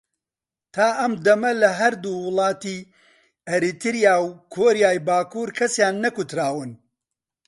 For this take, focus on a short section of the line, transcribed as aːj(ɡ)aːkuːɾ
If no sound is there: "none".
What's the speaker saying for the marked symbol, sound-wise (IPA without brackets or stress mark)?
b